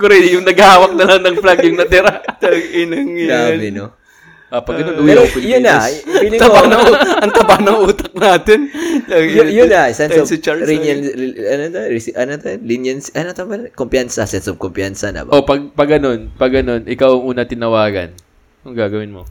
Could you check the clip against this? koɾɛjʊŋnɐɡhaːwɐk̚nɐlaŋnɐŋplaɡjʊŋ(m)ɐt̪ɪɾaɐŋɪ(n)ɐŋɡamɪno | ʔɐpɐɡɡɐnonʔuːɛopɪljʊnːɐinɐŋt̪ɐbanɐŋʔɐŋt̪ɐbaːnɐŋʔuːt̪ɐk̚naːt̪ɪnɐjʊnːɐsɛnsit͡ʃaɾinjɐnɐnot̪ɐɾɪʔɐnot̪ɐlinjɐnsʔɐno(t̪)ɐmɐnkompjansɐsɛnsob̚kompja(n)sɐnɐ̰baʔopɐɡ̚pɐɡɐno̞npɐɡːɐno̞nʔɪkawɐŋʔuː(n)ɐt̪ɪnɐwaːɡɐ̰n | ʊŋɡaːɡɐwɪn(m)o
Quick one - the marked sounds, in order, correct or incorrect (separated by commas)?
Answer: incorrect, correct, correct, correct, correct, correct